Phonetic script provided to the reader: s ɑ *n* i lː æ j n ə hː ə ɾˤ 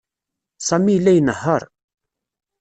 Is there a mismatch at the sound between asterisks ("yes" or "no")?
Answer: yes